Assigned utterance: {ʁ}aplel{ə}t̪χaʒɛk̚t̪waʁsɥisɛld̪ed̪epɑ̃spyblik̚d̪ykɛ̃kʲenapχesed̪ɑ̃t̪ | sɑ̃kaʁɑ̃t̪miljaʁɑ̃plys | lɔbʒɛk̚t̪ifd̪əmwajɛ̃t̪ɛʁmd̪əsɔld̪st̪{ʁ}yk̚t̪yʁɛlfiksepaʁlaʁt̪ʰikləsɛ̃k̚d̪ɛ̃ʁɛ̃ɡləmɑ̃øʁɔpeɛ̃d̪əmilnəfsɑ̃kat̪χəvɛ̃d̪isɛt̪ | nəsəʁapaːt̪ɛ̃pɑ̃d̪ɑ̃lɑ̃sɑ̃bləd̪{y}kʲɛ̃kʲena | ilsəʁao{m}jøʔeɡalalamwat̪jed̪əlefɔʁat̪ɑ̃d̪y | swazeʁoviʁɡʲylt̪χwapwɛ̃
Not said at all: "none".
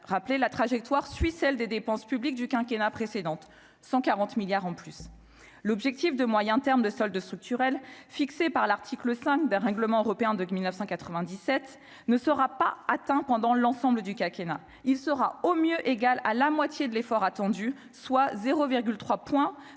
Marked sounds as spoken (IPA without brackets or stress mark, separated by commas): ʁ, a, χ, y, m